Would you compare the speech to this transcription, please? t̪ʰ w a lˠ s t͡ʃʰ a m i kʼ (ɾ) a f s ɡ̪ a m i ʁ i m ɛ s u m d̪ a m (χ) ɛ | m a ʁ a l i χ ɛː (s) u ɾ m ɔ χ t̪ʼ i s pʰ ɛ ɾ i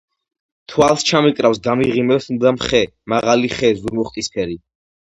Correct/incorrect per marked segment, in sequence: correct, correct, incorrect

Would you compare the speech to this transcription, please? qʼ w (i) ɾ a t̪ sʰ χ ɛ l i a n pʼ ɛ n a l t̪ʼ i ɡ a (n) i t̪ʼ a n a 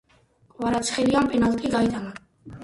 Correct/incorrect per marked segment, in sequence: incorrect, incorrect

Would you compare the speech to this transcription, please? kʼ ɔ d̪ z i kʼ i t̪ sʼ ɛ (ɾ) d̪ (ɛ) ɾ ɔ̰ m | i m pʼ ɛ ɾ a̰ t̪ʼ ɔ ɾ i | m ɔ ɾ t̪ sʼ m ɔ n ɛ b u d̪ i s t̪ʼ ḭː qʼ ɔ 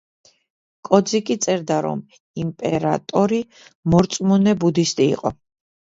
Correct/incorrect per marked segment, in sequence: correct, incorrect

